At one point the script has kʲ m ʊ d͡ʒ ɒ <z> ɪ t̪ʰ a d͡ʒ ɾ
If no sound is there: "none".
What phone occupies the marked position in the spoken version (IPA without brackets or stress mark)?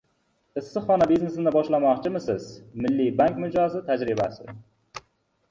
z